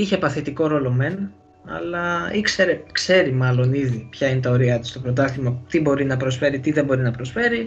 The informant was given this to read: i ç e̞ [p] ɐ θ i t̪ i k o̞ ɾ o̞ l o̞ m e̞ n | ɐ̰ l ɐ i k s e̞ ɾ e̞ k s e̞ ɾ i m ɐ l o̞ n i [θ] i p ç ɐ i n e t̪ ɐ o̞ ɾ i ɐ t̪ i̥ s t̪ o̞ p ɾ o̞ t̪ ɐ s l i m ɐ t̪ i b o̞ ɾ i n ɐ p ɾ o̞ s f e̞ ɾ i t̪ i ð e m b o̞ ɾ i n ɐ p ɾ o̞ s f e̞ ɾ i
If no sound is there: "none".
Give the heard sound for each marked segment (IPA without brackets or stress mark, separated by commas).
p, ð